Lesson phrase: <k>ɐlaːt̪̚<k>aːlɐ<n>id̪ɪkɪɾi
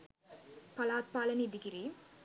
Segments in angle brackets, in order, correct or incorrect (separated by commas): incorrect, incorrect, correct